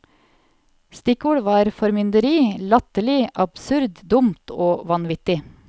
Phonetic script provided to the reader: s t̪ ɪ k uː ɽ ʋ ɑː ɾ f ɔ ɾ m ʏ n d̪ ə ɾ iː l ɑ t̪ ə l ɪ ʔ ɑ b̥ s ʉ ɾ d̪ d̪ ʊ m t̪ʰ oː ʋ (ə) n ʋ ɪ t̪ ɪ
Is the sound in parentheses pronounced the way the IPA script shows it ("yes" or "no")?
no